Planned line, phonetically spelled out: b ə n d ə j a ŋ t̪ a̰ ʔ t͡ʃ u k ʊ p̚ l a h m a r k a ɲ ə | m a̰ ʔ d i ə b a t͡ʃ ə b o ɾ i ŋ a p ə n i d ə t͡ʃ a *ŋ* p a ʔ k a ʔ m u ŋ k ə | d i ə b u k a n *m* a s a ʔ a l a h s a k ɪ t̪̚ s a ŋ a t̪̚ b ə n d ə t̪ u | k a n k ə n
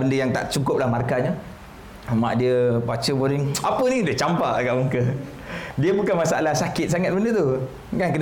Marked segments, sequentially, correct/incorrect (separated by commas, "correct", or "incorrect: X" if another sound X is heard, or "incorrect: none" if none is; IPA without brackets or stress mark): incorrect: m, correct